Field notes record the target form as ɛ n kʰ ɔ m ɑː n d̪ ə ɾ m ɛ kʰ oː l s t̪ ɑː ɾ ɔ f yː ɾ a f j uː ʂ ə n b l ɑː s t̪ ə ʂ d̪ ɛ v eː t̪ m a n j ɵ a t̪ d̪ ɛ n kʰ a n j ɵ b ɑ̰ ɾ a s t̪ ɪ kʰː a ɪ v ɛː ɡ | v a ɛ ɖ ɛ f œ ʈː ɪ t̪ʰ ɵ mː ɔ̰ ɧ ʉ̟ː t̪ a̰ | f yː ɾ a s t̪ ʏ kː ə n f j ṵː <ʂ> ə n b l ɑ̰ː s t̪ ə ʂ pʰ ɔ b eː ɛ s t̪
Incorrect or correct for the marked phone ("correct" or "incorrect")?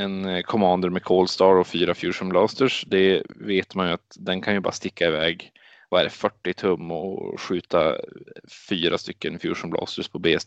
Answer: correct